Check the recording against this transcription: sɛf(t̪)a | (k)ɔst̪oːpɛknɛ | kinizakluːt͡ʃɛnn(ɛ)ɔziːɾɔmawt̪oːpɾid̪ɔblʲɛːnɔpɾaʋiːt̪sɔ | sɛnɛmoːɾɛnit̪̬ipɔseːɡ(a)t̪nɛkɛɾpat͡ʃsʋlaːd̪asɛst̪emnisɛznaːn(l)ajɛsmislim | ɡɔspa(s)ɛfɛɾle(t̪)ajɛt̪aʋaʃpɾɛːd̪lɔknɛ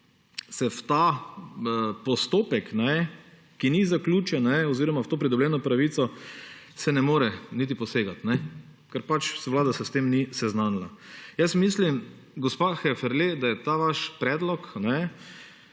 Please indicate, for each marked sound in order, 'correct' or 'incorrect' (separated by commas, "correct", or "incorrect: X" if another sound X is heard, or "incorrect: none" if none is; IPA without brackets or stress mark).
correct, incorrect: p, correct, correct, correct, incorrect: x, incorrect: d̪